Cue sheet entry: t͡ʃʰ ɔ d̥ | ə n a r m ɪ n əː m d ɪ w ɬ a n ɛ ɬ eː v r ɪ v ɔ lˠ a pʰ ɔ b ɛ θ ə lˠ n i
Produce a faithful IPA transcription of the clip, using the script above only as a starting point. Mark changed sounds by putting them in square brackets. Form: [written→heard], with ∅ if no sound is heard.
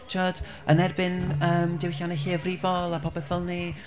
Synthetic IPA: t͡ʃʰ ɔ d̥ | ə n [a→ɛ] r [m→b] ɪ n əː m d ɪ w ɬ a n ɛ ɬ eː v r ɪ v ɔ lˠ a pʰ ɔ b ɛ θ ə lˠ n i